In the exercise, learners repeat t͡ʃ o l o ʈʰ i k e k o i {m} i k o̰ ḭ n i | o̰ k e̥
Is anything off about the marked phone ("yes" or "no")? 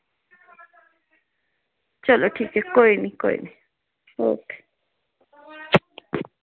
yes